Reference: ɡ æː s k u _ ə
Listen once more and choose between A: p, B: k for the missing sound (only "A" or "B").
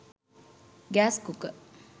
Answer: B